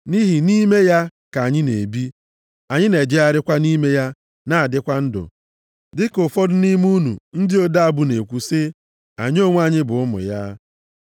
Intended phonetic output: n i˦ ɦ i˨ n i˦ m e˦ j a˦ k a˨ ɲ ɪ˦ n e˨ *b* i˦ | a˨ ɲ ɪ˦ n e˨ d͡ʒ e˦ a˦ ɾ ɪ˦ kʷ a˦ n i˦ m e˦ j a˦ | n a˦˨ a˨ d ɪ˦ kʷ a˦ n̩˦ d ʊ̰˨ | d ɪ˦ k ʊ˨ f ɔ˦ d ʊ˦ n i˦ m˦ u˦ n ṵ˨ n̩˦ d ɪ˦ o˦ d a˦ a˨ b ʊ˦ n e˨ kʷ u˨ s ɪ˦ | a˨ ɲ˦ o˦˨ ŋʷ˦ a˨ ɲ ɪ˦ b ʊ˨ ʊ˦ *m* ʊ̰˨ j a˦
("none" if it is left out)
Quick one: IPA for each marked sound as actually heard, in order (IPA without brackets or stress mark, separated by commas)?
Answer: b, m